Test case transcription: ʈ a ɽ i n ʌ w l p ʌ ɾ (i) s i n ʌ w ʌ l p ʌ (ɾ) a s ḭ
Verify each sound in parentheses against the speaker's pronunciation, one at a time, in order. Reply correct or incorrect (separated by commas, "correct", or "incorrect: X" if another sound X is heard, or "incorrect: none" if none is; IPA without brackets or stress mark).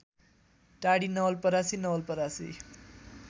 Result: incorrect: a, correct